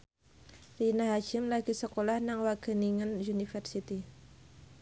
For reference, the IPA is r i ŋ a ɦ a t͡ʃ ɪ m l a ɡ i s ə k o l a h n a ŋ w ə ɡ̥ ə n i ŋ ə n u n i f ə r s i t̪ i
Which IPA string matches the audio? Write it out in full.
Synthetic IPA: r i n a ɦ a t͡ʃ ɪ m l a ɡ i s ə k o l a h n a ŋ w a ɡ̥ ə n i ŋ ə n u n i f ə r s i t̪ i